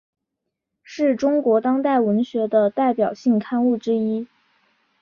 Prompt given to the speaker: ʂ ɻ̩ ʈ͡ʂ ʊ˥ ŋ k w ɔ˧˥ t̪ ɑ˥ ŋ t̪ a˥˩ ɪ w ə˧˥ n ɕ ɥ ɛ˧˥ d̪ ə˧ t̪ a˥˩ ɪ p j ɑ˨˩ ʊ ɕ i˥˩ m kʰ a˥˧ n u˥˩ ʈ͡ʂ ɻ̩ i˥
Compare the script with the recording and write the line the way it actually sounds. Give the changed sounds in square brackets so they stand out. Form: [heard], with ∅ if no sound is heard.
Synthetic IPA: ʂ ɻ̩ ʈ͡ʂ ʊ˥ ŋ k w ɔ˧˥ t̪ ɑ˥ ŋ t̪ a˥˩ ɪ w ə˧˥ n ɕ ɥ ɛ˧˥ d̪ ə˧ t̪ a˥˩ ɪ p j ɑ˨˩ ʊ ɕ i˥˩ [ŋ] kʰ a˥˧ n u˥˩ ʈ͡ʂ ɻ̩ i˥

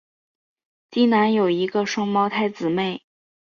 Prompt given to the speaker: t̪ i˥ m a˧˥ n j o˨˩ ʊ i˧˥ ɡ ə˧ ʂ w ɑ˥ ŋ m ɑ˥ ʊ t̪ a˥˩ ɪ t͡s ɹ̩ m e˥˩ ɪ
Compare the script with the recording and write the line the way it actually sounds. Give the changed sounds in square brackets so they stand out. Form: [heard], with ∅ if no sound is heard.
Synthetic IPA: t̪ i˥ [n] a˧˥ n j o˨˩ ʊ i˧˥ ɡ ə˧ ʂ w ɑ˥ ŋ m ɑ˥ ʊ [t̪ʰ] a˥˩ ɪ t͡s ɹ̩ m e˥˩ ɪ

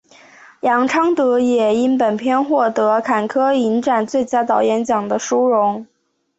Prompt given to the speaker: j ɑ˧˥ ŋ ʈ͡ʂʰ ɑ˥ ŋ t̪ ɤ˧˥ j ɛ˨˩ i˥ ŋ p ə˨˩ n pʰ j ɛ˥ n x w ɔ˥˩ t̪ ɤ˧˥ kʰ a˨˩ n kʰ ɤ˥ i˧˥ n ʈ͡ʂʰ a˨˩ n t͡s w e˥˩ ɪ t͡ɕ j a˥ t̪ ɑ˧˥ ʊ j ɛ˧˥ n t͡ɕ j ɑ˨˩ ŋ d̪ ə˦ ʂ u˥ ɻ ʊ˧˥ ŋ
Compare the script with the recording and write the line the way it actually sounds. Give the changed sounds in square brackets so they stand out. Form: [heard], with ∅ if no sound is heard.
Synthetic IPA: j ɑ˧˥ ŋ ʈ͡ʂʰ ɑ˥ ŋ t̪ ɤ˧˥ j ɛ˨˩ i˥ [n] p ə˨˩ n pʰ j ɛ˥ n x w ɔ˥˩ t̪ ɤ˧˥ kʰ a˨˩ n kʰ ɤ˥ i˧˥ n [ʈ͡ʂ] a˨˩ n t͡s w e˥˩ ɪ t͡ɕ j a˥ t̪ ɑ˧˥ ʊ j ɛ˧˥ n t͡ɕ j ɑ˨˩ ŋ d̪ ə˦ ʂ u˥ ɻ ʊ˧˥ ŋ

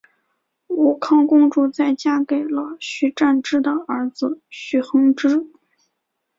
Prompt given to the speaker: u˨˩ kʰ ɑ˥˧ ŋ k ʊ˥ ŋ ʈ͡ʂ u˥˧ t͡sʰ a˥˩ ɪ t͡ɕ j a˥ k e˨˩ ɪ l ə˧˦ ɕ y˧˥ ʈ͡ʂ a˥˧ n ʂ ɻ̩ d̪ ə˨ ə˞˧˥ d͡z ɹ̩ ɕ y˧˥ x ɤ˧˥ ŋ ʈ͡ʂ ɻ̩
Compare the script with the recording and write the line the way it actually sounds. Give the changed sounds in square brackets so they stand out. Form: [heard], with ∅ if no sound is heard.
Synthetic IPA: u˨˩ kʰ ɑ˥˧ ŋ k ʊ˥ ŋ ʈ͡ʂ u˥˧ [t͡s] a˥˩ ɪ t͡ɕ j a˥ k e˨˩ ɪ l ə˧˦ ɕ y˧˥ ʈ͡ʂ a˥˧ n [ʈ͡ʂ] ɻ̩ d̪ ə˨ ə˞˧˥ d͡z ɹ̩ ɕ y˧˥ x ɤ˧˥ ŋ ʈ͡ʂ ɻ̩

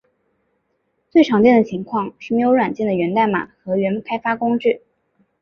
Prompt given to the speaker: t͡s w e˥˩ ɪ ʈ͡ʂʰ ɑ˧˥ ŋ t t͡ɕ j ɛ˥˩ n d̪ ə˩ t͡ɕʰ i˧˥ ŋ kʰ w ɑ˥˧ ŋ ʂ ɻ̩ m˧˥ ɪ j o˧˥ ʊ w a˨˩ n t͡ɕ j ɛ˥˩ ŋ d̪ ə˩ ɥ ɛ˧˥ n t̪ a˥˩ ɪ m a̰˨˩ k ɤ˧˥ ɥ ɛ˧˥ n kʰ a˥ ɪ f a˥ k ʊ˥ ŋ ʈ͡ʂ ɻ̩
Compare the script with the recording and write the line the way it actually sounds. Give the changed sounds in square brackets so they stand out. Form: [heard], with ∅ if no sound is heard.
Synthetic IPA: t͡s w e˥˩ ɪ ʈ͡ʂʰ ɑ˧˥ ŋ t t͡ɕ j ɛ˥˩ n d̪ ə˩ t͡ɕʰ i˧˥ ŋ kʰ w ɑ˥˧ ŋ ʂ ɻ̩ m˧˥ ɪ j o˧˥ ʊ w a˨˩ n t͡ɕ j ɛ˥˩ [n] d̪ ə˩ ɥ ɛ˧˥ n t̪ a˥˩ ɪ m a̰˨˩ [x] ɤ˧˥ ɥ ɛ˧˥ n kʰ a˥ ɪ f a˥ k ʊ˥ ŋ ʈ͡ʂ ɻ̩

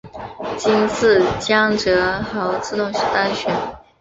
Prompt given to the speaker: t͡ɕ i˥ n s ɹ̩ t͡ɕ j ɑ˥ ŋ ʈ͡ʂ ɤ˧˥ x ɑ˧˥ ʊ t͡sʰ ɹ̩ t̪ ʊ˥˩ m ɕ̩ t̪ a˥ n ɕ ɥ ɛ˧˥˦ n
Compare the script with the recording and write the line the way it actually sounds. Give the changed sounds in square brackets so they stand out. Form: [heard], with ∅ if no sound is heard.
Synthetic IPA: t͡ɕ i˥ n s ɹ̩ t͡ɕ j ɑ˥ ŋ ʈ͡ʂ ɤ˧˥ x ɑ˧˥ ʊ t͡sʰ ɹ̩ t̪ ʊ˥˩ [ŋ] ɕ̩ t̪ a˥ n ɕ ɥ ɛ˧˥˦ n

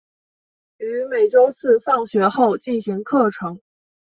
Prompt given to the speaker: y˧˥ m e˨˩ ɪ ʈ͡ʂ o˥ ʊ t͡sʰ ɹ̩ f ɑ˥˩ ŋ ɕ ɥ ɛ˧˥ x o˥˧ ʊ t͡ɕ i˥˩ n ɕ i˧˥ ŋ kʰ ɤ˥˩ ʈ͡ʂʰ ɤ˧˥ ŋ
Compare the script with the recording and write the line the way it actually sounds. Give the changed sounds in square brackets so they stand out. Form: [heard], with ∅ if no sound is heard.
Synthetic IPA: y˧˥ m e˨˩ ɪ ʈ͡ʂ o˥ ʊ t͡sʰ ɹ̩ f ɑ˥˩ ŋ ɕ ɥ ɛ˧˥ x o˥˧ ʊ t͡ɕ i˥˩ n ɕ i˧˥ ŋ kʰ ɤ˥˩ ʈ͡ʂʰ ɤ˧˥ ŋ

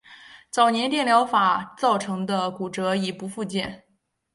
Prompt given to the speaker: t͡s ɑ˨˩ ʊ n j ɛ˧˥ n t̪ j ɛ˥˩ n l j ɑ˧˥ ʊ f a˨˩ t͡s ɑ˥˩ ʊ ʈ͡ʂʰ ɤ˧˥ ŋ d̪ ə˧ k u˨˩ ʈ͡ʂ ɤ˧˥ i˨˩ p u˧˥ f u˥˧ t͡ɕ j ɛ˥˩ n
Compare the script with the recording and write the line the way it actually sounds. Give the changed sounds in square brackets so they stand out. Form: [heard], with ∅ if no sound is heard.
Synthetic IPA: t͡s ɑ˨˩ ʊ n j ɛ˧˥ n t̪ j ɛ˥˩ n l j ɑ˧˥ ʊ f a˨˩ t͡s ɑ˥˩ ʊ ʈ͡ʂʰ ɤ˧˥ ŋ d̪ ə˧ k u˨˩ ʈ͡ʂ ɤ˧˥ i˨˩ p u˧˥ f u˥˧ t͡ɕ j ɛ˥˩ n

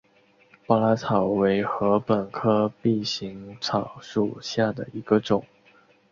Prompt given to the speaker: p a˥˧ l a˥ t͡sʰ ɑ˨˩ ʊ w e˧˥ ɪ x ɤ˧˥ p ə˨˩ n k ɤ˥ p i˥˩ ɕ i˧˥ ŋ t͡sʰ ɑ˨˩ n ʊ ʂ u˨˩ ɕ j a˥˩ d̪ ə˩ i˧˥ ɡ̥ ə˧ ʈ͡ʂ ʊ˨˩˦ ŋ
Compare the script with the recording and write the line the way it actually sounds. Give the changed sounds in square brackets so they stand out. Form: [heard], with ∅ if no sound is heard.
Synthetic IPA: p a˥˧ l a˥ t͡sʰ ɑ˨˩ ʊ w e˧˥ ɪ x ɤ˧˥ p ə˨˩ n [kʰ] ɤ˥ p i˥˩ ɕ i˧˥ ŋ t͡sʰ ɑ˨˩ [∅] ʊ ʂ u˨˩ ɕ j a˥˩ d̪ ə˩ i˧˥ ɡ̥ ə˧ ʈ͡ʂ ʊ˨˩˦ ŋ

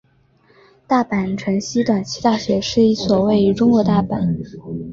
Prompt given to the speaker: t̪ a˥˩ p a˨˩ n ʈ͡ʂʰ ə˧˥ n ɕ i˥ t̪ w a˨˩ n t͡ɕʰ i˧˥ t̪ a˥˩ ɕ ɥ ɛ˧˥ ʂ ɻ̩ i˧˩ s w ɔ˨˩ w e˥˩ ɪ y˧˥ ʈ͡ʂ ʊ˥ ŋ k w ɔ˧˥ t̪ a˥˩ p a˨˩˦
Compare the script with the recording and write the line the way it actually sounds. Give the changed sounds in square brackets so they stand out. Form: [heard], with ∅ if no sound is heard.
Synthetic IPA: t̪ a˥˩ p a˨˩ n ʈ͡ʂʰ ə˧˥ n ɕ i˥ t̪ w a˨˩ n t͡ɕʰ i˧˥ t̪ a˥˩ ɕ ɥ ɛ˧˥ ʂ ɻ̩ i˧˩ s w ɔ˨˩ w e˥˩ ɪ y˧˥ ʈ͡ʂ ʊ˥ ŋ k w ɔ˧˥ t̪ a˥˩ p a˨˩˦

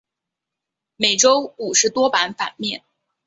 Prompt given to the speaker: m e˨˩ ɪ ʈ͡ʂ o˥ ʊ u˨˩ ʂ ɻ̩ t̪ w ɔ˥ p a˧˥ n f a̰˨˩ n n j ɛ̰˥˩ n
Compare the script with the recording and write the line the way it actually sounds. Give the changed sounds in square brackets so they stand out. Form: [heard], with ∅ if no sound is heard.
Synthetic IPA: m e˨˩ ɪ ʈ͡ʂ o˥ ʊ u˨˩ ʂ ɻ̩ t̪ w ɔ˥ p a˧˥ n f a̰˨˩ n [m] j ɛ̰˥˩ n

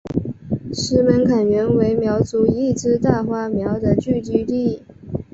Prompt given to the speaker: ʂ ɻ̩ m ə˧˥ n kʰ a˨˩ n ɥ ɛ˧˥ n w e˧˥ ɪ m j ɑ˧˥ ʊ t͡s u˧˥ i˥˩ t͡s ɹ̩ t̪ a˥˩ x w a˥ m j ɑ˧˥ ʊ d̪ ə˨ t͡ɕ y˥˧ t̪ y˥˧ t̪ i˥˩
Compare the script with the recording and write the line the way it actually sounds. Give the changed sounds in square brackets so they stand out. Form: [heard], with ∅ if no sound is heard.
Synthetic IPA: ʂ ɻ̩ m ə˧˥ n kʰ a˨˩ n ɥ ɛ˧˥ n w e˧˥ ɪ m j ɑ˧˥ ʊ t͡s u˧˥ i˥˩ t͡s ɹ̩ t̪ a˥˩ x w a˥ m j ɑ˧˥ ʊ d̪ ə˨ t͡ɕ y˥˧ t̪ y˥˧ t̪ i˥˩

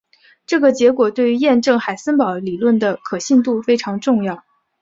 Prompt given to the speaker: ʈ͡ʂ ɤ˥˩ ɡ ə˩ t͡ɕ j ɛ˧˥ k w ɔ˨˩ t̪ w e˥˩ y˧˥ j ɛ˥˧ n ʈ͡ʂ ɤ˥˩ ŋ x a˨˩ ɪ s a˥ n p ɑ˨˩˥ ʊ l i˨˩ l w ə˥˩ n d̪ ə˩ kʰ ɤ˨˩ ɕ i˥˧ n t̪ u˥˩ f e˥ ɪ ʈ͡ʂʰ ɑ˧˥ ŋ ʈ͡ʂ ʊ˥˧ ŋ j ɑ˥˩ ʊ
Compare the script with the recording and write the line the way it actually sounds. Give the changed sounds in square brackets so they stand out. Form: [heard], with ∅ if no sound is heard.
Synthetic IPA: ʈ͡ʂ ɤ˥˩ ɡ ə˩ t͡ɕ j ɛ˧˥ k w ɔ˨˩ t̪ w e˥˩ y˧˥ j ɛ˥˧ n ʈ͡ʂ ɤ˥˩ ŋ x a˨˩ ɪ s [ə˥] n p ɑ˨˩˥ ʊ l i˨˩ l w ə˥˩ n d̪ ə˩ kʰ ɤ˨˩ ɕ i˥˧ n t̪ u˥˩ f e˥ ɪ ʈ͡ʂʰ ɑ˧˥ ŋ ʈ͡ʂ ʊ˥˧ ŋ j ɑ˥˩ ʊ

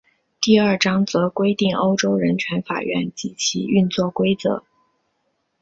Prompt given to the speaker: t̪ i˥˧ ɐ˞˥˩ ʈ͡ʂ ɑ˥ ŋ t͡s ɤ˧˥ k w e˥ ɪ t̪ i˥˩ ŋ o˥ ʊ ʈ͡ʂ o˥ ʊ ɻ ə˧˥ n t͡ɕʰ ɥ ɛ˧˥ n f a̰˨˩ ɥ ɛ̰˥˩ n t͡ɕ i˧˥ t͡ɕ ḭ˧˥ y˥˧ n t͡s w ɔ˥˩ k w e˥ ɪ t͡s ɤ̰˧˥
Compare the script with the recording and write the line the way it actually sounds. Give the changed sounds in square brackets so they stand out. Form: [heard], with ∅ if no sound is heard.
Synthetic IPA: t̪ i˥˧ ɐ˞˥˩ ʈ͡ʂ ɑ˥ ŋ t͡s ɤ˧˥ k w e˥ ɪ t̪ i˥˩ ŋ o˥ ʊ ʈ͡ʂ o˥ ʊ ɻ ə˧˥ n t͡ɕʰ ɥ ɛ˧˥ n f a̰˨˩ ɥ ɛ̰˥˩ n t͡ɕ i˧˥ [t͡ɕʰ] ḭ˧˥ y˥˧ n t͡s w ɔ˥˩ k w e˥ ɪ t͡s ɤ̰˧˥

